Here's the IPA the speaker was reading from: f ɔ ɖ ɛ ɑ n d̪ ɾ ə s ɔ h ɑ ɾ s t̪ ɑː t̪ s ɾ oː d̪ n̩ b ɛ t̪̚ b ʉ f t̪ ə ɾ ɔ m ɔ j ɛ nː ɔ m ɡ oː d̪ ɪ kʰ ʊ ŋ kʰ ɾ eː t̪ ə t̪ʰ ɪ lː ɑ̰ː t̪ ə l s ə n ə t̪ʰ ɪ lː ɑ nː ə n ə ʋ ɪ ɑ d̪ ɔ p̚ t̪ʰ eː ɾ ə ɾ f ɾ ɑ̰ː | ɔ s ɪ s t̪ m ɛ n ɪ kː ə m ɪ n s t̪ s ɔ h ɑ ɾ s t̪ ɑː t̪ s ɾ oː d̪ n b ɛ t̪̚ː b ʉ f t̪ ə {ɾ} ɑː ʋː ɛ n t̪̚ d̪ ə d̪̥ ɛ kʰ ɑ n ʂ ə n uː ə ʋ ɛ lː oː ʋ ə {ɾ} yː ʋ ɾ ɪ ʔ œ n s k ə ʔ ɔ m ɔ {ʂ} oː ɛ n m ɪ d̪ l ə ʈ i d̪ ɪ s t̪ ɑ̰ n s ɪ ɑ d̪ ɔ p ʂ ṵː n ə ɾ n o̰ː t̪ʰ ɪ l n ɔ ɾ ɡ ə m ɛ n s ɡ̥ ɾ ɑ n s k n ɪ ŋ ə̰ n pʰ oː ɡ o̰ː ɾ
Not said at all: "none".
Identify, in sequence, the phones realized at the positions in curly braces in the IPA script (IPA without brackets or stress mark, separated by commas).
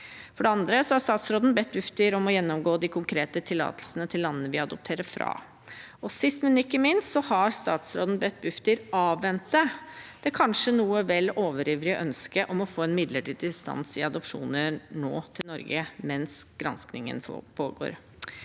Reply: ɾ, ɾ, f